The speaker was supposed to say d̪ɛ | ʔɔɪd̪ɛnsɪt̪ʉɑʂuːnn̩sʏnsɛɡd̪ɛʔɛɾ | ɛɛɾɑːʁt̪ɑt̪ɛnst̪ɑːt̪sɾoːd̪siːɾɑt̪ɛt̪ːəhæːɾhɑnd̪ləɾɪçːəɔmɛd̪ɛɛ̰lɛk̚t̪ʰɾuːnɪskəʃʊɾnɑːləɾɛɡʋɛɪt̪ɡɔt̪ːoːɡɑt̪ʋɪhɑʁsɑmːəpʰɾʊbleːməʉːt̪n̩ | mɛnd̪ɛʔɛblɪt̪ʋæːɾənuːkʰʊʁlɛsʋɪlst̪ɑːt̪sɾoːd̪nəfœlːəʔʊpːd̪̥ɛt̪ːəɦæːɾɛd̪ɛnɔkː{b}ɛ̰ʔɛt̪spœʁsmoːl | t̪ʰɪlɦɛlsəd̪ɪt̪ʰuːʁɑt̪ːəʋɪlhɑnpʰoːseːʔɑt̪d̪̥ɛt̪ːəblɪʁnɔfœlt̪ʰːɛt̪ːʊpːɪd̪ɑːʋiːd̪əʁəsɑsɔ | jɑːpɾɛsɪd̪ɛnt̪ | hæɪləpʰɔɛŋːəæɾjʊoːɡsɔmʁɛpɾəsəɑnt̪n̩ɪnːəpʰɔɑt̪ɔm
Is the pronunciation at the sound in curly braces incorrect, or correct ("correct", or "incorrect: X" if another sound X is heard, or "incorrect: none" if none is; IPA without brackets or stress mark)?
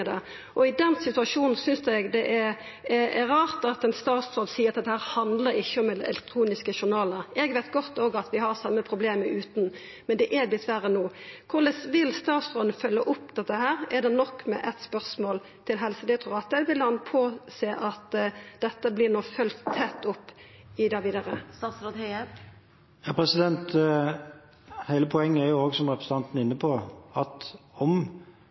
incorrect: m